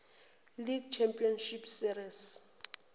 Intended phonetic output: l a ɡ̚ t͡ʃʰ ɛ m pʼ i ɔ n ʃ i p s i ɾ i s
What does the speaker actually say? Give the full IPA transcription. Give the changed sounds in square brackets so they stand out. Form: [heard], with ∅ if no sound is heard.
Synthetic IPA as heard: l [i] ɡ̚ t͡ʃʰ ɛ m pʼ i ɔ n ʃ i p s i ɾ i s